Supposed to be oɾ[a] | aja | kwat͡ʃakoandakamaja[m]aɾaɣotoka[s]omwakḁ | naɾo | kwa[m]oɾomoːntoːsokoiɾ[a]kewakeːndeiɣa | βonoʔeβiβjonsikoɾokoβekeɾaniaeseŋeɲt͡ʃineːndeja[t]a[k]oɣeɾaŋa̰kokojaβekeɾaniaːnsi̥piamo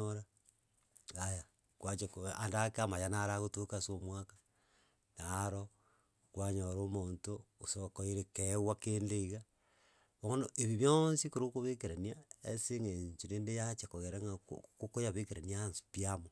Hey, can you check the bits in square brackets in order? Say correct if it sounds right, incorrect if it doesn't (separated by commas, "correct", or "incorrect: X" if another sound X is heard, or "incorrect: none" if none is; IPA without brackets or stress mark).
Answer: correct, incorrect: n, correct, incorrect: ɲ, incorrect: e, incorrect: t͡ʃ, correct